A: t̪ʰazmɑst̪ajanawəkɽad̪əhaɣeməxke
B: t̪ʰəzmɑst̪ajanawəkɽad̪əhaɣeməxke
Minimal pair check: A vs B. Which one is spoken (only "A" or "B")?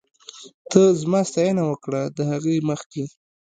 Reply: B